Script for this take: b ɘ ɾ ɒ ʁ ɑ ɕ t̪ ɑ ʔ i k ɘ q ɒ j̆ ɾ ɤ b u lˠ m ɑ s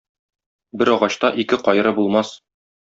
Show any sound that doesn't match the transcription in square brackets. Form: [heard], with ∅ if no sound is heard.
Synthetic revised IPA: b ɘ ɾ ɒ ʁ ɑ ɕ t̪ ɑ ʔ i k ɘ q ɒ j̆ ɾ ɤ b u lˠ m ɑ s